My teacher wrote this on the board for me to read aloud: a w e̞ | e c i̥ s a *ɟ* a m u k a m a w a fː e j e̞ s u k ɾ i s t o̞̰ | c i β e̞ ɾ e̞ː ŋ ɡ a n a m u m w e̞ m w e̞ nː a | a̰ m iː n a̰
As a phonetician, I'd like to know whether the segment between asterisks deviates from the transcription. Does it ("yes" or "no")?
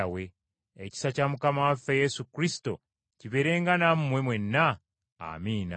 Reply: yes